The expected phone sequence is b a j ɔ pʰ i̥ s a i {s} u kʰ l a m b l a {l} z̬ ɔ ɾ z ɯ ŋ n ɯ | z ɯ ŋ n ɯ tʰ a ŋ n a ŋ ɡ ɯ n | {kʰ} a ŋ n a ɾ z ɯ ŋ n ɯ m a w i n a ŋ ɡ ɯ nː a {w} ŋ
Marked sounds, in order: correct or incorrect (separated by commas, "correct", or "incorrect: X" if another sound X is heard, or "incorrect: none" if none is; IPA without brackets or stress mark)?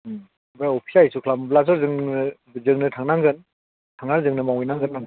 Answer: correct, incorrect: none, incorrect: tʰ, incorrect: none